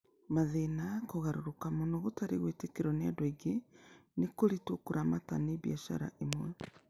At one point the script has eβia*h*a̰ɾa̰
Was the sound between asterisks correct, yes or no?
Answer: no